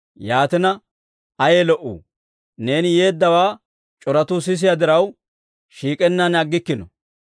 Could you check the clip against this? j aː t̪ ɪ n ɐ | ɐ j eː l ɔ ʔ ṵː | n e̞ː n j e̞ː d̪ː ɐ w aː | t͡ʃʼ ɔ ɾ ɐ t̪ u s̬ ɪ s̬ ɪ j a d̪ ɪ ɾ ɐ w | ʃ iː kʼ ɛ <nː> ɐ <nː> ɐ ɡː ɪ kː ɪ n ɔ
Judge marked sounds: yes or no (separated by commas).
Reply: yes, no